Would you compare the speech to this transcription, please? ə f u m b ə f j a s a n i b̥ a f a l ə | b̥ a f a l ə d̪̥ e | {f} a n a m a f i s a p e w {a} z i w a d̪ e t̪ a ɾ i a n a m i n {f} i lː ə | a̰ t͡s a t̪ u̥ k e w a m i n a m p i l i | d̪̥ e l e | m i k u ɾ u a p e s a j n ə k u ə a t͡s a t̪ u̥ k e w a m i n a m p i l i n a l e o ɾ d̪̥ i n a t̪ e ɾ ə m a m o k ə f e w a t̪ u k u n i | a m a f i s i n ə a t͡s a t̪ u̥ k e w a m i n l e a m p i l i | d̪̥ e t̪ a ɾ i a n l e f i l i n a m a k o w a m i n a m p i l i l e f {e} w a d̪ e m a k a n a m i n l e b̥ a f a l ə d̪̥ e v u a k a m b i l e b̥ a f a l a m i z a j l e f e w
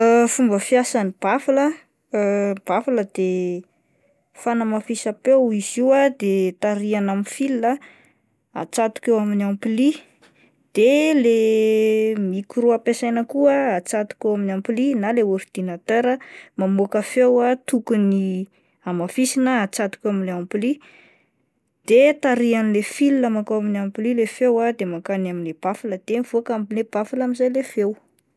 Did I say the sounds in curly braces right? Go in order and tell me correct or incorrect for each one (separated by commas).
correct, incorrect, correct, correct